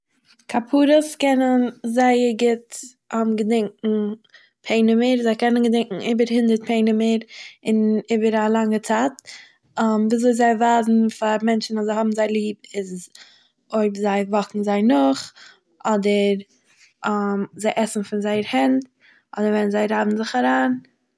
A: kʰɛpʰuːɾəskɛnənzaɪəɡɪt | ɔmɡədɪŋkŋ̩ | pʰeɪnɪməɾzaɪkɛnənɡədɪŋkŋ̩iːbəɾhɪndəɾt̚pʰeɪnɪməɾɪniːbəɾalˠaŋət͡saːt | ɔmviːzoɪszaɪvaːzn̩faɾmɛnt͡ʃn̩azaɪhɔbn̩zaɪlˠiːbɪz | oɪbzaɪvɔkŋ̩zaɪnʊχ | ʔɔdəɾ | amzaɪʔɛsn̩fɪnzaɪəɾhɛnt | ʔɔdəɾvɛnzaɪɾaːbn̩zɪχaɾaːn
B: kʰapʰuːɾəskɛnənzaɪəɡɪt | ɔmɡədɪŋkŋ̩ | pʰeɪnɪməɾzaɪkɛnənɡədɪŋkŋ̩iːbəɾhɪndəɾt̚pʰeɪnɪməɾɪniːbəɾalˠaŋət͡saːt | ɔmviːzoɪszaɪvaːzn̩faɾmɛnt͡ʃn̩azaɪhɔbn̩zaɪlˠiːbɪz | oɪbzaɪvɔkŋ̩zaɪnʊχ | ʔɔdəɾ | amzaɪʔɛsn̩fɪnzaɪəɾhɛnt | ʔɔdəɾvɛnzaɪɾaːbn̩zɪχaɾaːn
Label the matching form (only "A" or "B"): B